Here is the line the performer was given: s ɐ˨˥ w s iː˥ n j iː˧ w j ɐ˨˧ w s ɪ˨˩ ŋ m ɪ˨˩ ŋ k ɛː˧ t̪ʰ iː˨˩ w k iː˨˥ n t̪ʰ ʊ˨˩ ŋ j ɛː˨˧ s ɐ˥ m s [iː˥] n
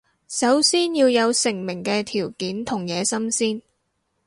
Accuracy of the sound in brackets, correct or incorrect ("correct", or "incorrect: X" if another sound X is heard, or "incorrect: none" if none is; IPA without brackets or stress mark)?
correct